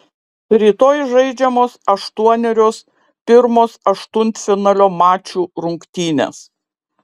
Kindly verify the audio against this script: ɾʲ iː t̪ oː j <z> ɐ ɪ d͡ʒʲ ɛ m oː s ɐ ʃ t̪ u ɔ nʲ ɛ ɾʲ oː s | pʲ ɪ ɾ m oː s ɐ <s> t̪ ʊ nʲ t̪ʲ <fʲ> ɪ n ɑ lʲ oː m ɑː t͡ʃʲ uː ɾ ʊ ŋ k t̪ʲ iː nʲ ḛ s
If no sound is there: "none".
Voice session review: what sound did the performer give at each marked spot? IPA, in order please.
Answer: ʒ, ʃ, fʲ

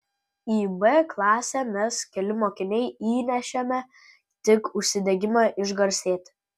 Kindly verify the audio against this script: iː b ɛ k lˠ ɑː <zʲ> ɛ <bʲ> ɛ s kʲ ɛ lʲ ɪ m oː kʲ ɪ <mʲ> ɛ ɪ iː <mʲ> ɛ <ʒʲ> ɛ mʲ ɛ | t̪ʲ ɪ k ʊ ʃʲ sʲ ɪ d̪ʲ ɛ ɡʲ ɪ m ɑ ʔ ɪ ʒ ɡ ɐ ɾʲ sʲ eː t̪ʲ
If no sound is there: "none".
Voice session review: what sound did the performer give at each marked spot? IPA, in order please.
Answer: sʲ, mʲ, nʲ, nʲ, ʃʲ

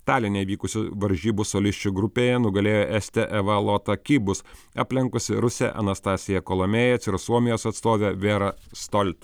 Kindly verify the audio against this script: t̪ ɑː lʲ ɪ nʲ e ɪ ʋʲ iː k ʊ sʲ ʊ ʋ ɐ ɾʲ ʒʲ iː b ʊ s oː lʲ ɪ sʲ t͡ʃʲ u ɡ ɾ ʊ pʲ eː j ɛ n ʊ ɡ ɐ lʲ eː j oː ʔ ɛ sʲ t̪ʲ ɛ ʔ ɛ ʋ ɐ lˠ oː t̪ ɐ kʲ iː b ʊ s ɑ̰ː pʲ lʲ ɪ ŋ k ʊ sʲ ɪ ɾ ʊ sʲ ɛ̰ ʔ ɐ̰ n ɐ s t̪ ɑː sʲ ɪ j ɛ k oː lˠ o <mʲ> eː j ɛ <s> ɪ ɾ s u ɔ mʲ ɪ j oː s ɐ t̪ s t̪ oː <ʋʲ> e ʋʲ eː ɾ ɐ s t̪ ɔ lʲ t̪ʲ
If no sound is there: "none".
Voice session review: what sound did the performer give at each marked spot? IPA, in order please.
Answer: mʲ, s, ʋʲ

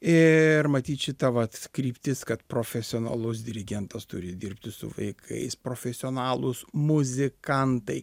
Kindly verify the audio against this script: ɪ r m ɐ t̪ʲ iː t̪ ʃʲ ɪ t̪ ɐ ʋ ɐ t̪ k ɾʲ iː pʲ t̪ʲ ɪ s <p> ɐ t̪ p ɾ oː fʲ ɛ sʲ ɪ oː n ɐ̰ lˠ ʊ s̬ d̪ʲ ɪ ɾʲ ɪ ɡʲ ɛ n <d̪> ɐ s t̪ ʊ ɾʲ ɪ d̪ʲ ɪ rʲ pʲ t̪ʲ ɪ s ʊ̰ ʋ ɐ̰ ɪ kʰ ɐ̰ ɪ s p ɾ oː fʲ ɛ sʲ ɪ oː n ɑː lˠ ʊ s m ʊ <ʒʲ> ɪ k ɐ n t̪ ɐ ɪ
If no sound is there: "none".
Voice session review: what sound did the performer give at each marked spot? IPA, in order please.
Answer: k, t̪, zʲ

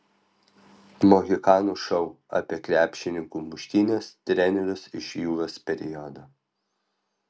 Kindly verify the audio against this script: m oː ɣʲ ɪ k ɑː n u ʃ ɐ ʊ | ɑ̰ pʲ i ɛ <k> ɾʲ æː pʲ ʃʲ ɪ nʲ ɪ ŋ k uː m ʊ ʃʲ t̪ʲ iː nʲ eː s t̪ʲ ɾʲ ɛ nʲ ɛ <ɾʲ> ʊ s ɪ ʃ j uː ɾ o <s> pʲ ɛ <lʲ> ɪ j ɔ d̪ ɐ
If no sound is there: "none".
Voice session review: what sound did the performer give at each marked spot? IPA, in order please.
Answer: k, ɾʲ, s, ɾʲ

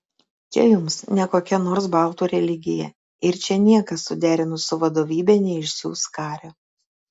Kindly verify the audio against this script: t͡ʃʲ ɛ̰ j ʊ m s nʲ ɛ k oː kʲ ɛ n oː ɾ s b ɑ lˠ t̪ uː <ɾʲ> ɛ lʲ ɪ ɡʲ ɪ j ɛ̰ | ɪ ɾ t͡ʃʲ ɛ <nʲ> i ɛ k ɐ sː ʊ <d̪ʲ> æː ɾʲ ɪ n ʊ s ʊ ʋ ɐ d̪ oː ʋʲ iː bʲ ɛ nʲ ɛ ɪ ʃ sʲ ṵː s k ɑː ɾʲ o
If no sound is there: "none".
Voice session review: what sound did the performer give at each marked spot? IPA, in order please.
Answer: ɾʲ, nʲ, d̪ʲ

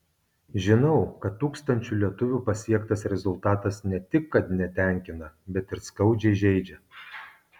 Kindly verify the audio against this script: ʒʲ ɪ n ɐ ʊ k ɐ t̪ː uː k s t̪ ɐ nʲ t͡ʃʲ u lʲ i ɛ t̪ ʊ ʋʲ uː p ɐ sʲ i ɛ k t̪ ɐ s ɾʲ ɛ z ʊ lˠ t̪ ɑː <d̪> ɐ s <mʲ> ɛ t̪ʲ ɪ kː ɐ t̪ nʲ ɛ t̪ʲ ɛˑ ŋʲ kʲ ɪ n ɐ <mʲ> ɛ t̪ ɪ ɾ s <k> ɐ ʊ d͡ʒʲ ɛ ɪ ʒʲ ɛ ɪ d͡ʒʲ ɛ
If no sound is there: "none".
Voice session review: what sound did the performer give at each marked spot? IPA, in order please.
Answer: t̪, nʲ, bʲ, k

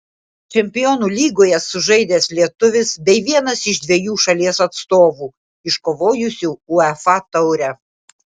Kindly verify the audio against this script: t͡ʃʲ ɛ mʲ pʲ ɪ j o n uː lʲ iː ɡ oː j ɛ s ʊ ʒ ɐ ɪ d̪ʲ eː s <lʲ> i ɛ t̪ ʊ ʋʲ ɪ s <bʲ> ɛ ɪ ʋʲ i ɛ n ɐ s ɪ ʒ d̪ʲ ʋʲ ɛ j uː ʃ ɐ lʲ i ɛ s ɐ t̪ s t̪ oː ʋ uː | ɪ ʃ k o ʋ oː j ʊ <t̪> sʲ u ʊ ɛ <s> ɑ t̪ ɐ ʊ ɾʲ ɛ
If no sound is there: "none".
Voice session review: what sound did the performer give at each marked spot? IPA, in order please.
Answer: lʲ, bʲ, none, f

